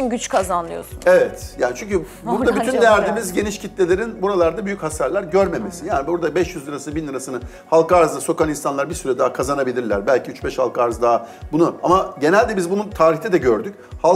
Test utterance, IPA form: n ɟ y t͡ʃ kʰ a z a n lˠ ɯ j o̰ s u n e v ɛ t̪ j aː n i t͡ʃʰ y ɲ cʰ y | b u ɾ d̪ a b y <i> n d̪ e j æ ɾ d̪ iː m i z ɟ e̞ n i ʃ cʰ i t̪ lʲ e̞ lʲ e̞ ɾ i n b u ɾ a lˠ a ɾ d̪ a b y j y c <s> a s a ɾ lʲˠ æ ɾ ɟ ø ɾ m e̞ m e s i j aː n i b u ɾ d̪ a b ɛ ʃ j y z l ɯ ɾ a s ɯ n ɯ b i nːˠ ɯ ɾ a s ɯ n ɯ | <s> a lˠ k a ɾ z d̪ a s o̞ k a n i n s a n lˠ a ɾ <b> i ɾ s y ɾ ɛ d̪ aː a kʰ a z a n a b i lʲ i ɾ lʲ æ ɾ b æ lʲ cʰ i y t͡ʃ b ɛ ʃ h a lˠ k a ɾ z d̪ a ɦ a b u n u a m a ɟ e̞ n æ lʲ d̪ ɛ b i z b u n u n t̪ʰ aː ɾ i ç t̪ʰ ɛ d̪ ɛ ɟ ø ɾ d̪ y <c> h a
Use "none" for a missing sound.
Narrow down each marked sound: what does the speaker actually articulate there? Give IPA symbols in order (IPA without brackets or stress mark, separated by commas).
y, h, h, b, c